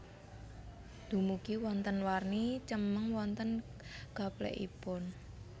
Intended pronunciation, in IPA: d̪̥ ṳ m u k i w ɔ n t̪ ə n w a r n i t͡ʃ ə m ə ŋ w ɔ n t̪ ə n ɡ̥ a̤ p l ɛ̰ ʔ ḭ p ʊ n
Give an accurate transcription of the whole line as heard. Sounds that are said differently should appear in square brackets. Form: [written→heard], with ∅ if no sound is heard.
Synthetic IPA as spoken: d̪̥ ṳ m u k i w ɔ n t̪ ə n w a r n i t͡ʃ ə m ə ŋ w ɔ n t̪ ə n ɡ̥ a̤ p l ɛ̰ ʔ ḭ p ʊ n